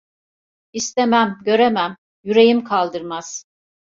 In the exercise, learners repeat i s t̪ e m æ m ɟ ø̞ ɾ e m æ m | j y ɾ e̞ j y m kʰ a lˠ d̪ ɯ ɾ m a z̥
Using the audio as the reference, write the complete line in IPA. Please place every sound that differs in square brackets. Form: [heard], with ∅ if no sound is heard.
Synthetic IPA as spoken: i s t̪ e m æ m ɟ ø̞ ɾ e m æ m | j y ɾ e̞ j [i] m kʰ a lˠ d̪ ɯ ɾ m a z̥